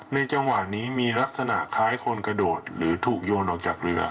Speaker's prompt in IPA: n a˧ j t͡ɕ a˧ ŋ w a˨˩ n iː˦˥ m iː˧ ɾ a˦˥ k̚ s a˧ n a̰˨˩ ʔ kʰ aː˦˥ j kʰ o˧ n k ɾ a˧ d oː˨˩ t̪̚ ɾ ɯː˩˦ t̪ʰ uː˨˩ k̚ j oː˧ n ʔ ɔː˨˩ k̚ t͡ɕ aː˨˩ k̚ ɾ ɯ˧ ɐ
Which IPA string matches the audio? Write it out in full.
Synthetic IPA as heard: n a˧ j t͡ɕ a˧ ŋ w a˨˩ n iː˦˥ m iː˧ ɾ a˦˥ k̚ s a˧ n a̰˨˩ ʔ kʰ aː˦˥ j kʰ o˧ n k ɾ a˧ d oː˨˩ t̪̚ ɾ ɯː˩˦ t̪ʰ uː˨˩ k̚ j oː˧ n ʔ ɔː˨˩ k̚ t͡ɕ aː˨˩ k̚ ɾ ɯ˧ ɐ